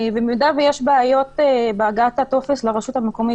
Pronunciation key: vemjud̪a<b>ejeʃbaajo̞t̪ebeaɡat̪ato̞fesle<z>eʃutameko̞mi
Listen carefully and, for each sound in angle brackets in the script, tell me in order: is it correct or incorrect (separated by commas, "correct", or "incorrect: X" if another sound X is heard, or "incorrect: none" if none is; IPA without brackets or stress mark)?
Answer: incorrect: v, incorrect: ʁ